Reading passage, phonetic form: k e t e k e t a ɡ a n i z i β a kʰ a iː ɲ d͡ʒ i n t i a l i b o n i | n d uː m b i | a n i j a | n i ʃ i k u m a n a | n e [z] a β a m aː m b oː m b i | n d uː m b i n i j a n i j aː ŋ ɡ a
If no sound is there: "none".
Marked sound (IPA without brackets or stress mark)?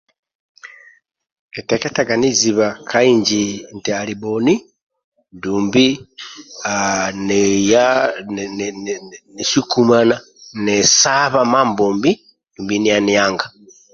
s